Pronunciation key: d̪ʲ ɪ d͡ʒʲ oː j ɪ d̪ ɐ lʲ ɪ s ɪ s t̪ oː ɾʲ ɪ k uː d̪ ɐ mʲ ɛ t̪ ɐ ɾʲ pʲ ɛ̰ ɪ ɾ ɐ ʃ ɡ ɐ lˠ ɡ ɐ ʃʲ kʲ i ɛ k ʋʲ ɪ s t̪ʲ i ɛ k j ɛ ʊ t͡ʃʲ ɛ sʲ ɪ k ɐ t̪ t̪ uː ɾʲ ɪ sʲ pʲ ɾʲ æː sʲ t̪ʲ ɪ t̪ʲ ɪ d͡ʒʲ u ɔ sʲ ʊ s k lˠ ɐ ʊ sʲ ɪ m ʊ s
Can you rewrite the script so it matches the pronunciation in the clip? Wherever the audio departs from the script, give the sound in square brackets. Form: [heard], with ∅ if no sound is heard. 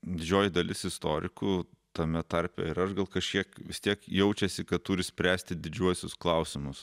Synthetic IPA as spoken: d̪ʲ ɪ d͡ʒʲ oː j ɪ d̪ ɐ lʲ ɪ s ɪ s t̪ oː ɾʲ ɪ k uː [t̪] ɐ mʲ ɛ t̪ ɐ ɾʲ pʲ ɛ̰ ɪ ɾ ɐ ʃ ɡ ɐ lˠ [k] ɐ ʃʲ kʲ i ɛ k ʋʲ ɪ s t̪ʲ i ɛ k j ɛ ʊ t͡ʃʲ ɛ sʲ ɪ k ɐ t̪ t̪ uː ɾʲ ɪ sʲ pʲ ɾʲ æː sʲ t̪ʲ ɪ [d̪ʲ] ɪ d͡ʒʲ u ɔ sʲ ʊ s k lˠ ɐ ʊ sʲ ɪ m ʊ s